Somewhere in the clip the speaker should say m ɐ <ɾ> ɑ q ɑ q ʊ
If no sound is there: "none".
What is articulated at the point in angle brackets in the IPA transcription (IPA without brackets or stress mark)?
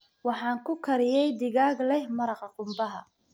ɾ